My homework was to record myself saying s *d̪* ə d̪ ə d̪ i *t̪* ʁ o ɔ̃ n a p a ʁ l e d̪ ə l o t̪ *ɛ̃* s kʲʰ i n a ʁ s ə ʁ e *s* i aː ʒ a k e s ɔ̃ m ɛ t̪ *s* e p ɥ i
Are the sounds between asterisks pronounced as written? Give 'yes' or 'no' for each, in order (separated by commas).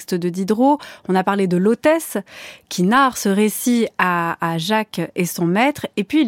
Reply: no, no, no, yes, no